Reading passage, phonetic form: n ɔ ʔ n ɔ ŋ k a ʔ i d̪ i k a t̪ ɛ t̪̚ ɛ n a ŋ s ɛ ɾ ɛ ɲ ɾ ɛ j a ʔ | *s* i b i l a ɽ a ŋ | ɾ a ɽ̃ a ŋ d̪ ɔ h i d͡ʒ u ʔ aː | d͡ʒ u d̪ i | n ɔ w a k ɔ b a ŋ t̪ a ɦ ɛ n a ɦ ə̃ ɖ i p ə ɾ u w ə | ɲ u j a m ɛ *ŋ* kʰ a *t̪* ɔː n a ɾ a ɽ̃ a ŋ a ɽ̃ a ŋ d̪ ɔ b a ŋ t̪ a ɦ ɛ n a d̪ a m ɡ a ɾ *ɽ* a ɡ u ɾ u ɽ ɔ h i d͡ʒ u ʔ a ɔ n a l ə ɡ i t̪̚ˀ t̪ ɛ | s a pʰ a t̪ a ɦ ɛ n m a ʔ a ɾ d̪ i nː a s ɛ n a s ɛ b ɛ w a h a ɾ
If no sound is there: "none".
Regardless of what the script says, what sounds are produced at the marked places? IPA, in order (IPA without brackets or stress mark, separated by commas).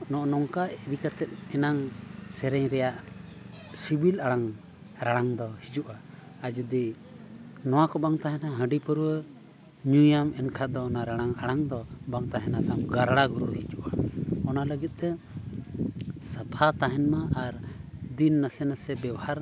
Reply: s, n, d̪, ɽ